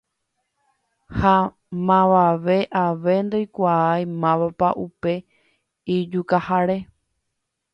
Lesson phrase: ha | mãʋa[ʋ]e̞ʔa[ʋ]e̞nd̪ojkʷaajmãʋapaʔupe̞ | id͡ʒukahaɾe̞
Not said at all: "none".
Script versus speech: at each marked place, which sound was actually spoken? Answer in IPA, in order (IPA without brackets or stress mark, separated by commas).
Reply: ʋ, ʋ